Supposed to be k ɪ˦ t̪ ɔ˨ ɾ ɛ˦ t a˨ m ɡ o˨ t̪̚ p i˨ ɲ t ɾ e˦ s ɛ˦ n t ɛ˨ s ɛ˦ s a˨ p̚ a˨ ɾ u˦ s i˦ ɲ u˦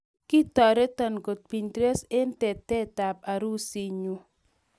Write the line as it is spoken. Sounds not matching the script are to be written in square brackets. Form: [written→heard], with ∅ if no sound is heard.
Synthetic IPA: k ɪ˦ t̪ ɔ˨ ɾ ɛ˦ t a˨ [m→n] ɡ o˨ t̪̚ p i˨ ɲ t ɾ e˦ s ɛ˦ n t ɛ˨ [s→t] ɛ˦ [s→t] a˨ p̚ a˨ ɾ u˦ s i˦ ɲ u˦